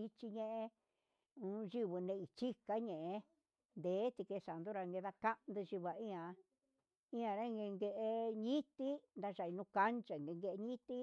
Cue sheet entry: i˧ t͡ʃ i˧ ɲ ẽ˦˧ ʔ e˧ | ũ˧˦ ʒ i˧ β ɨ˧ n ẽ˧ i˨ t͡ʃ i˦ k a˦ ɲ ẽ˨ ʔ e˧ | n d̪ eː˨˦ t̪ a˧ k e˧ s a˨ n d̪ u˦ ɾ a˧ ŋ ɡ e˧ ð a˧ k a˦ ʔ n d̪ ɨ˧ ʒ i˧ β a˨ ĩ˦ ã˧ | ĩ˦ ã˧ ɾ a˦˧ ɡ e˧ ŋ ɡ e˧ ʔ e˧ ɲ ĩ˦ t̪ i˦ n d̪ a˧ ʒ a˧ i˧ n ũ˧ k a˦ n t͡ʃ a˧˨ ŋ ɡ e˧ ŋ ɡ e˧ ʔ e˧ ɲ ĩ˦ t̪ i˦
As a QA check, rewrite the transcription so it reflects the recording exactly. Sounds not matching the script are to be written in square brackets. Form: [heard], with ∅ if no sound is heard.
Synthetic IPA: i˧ t͡ʃ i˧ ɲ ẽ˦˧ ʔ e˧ | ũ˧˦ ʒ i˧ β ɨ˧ n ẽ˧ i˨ t͡ʃ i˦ k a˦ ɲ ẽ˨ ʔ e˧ | n d̪ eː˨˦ t̪ [i˧] k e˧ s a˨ n d̪ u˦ ɾ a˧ ŋ ɡ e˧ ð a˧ k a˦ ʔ n d̪ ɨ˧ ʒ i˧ β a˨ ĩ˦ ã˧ | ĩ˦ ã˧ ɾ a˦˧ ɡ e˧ ŋ ɡ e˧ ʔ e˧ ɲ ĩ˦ t̪ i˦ n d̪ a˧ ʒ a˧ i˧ n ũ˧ k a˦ n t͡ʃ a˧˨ ŋ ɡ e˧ ŋ ɡ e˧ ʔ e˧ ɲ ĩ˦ t̪ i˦